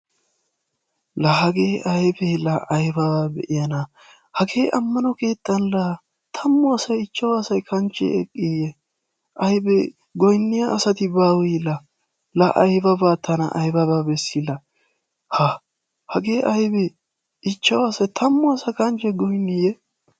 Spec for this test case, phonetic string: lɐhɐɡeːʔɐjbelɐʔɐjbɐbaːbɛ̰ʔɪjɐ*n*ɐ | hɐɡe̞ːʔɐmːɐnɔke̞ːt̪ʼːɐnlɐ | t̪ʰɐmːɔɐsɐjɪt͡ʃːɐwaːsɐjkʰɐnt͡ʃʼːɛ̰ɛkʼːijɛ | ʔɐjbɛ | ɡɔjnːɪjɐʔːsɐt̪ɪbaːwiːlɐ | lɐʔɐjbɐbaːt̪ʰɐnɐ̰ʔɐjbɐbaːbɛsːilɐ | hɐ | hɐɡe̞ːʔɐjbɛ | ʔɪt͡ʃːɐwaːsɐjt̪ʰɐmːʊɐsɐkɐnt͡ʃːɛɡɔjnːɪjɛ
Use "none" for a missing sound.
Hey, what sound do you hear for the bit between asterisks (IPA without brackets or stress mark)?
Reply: n